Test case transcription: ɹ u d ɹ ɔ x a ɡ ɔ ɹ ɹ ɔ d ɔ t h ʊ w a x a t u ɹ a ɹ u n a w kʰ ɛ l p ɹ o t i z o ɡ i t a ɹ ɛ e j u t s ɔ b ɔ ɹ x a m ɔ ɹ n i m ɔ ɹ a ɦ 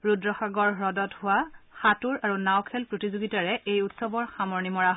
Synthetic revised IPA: ɹ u d ɹ ɔ x a ɡ ɔ ɹ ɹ ɔ d ɔ t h ʊ w a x a t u ɹ a ɹ u n a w kʰ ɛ l p ɹ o t i z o ɡ i t a ɹ ɛ e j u t s ɔ b ɔ ɹ x a m ɔ ɹ n i m ɔ ɹ a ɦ